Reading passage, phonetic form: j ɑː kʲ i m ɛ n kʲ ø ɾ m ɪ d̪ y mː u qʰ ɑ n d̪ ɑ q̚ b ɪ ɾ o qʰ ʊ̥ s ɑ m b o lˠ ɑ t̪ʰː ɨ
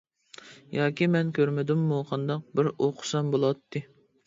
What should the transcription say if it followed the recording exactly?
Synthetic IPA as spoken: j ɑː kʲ i m ɛ n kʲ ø ɾ m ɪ d̪ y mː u qʰ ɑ n d̪ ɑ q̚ b ɪ ɾ o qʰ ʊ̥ s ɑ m b o lˠ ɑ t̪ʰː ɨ